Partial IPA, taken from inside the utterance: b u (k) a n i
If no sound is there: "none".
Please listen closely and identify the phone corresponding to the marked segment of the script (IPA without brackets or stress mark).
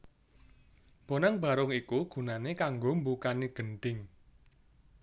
k